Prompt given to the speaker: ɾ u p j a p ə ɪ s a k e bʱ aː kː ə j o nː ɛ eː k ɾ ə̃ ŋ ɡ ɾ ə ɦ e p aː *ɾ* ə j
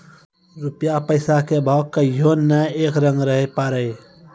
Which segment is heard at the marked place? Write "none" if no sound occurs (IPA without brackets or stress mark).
ɾ